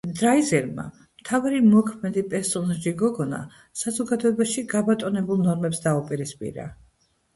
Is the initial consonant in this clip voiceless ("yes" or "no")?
no